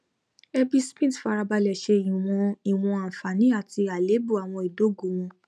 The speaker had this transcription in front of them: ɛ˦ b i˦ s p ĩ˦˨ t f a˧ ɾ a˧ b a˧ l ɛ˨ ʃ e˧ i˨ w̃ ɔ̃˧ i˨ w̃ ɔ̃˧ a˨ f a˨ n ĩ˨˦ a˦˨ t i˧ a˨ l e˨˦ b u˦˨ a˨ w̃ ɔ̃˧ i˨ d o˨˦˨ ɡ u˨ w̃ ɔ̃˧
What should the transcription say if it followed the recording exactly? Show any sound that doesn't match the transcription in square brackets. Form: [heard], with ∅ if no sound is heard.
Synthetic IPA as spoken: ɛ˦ b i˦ s p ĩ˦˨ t f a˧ ɾ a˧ b a˧ l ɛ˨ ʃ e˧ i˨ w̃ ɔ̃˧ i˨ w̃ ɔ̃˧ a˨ f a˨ n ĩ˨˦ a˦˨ t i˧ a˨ l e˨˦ b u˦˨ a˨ w̃ ɔ̃˧ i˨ d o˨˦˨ ɡ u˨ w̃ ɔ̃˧

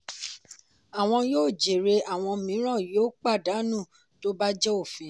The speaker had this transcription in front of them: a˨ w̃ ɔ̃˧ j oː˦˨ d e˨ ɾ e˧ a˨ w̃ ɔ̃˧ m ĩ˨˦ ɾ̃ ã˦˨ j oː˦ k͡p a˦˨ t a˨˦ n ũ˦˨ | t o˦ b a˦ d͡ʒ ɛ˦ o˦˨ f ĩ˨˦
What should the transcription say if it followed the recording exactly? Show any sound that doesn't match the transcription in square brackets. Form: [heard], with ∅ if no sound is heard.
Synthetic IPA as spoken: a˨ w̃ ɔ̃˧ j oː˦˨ [d͡ʒ] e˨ ɾ e˧ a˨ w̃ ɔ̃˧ m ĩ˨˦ ɾ̃ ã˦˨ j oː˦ k͡p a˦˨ [d] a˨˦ n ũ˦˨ | t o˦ b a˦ d͡ʒ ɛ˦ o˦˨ f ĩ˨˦

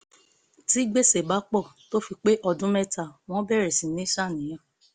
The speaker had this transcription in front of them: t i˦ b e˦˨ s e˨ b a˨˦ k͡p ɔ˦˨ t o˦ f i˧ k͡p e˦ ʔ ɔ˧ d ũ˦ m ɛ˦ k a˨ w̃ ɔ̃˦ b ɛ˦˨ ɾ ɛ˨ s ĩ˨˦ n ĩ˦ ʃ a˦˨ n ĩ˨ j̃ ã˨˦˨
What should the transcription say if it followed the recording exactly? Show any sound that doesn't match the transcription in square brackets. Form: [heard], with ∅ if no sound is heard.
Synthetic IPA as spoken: t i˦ [ɡ͡b] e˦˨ s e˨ b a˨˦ k͡p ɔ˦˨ t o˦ f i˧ k͡p e˦ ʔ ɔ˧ d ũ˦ m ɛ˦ [t] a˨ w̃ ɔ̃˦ b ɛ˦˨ ɾ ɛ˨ s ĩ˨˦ n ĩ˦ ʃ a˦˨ n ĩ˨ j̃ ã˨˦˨

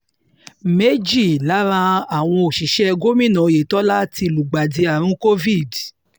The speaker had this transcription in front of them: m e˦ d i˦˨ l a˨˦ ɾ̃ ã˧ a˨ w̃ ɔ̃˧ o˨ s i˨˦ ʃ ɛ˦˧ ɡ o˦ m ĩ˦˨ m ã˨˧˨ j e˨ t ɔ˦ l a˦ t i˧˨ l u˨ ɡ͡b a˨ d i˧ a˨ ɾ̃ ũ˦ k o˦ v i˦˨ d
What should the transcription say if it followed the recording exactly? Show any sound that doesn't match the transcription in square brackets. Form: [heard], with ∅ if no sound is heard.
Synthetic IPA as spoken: m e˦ [d͡ʒ] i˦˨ l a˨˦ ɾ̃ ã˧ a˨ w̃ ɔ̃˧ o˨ [ʃ] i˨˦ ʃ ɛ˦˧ ɡ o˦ m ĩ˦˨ [n] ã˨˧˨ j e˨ t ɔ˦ l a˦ t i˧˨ l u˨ ɡ͡b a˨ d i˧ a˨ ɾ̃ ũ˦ k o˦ v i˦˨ d

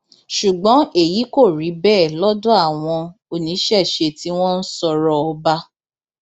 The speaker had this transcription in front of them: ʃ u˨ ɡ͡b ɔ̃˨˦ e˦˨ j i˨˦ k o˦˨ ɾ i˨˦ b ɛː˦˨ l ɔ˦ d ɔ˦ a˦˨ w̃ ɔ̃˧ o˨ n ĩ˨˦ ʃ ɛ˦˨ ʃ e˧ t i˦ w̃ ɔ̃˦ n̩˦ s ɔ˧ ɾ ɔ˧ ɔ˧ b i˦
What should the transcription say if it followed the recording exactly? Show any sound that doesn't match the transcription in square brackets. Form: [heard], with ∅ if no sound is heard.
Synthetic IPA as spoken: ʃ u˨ ɡ͡b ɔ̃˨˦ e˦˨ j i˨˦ k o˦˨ ɾ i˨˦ b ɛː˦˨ l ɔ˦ d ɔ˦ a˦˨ w̃ ɔ̃˧ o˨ n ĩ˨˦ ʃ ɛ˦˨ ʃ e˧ t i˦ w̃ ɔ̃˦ n̩˦ s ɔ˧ ɾ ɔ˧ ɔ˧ b [a˦]

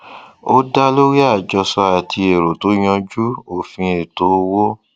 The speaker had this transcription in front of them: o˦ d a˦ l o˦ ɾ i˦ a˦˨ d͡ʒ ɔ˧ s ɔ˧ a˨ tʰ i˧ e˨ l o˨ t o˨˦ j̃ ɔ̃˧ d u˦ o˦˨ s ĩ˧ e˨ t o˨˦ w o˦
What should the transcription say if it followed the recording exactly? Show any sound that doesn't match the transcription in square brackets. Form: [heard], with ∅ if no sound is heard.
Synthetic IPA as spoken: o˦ d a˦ l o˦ ɾ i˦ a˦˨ d͡ʒ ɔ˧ s ɔ˧ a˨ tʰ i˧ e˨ [ɾ] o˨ t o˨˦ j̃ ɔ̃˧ [d͡ʒ] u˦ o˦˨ [f] ĩ˧ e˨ t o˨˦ w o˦

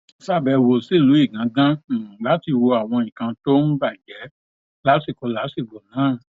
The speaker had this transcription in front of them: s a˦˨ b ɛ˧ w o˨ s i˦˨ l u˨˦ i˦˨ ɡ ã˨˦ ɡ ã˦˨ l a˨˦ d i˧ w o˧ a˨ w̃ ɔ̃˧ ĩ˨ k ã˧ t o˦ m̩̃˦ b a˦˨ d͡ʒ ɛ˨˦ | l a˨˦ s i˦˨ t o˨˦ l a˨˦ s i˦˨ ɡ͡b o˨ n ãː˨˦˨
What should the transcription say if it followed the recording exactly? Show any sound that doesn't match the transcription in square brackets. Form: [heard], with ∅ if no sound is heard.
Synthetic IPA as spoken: s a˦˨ b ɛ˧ w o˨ s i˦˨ l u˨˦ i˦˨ ɡ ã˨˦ ɡ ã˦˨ l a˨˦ [t] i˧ w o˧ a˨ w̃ ɔ̃˧ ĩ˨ k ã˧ t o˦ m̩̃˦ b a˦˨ d͡ʒ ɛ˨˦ | l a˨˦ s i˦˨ [k] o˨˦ l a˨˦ s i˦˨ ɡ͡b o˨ n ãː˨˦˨

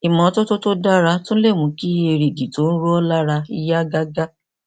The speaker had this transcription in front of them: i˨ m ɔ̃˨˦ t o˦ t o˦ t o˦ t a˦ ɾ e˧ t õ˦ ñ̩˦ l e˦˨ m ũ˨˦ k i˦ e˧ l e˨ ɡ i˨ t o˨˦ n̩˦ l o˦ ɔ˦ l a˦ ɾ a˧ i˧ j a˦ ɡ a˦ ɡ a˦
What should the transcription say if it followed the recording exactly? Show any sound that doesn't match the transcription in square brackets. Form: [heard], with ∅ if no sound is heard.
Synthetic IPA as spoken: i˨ m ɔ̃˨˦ t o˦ t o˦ t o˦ [d] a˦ ɾ [a˧] t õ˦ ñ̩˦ l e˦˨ m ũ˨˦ k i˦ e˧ [ɾ] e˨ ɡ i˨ t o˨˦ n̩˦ [ɾ] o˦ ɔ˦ l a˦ ɾ a˧ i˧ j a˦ ɡ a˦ ɡ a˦

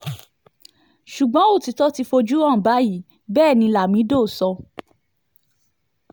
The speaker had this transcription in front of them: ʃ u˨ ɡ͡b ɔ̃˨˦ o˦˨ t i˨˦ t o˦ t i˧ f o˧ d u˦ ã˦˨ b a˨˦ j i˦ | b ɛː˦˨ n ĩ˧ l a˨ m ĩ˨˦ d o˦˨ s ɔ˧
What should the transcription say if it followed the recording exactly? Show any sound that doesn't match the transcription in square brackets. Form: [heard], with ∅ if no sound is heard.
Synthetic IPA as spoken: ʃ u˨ ɡ͡b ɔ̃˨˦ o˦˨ t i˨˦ t [ɔ˦] t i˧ f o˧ [d͡ʒ] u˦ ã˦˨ b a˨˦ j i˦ | b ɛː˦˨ n ĩ˧ l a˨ m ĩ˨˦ d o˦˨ s ɔ˧

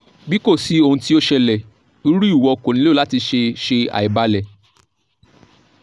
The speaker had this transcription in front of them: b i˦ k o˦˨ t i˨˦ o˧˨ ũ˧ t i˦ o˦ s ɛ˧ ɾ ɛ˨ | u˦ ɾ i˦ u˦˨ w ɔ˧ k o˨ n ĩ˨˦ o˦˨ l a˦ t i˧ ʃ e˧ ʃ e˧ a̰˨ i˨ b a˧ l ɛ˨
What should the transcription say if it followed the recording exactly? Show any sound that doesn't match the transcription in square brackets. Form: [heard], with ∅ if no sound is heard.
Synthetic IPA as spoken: b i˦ k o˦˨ [s] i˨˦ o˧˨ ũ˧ t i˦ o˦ [ʃ] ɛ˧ [l] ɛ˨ | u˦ ɾ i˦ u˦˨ w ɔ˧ k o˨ n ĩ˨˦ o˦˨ l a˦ t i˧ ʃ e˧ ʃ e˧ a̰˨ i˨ b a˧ l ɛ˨

